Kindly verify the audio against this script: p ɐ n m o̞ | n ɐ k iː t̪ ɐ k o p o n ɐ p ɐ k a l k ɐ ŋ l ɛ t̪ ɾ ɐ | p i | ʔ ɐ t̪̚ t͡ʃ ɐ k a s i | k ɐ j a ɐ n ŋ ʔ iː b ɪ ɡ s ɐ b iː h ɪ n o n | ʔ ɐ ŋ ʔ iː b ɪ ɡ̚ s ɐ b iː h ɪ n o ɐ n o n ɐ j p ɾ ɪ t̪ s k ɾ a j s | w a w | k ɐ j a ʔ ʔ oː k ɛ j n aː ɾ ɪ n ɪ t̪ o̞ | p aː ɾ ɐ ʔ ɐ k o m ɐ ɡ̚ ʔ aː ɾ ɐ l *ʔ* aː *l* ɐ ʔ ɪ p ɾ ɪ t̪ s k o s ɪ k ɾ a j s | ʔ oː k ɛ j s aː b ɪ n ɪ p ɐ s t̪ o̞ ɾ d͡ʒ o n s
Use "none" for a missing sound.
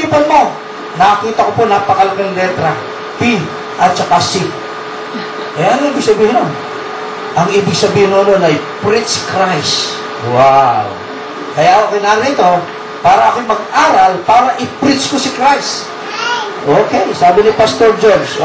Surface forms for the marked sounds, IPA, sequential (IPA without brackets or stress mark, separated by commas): p, ɾ